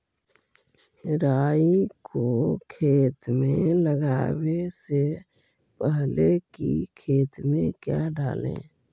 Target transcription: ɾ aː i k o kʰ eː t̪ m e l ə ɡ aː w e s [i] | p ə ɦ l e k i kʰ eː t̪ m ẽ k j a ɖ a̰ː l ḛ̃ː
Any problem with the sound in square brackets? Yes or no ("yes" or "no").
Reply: yes